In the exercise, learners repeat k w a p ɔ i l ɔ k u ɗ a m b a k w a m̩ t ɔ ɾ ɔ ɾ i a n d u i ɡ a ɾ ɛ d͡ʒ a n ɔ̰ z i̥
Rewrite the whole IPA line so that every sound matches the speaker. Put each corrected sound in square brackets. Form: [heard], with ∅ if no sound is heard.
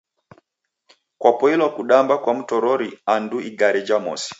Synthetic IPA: k w a p ɔ i l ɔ k u ɗ a m b a k w a m̩ t ɔ ɾ ɔ ɾ i a n d u i ɡ a ɾ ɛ d͡ʒ a [m] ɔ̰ [s] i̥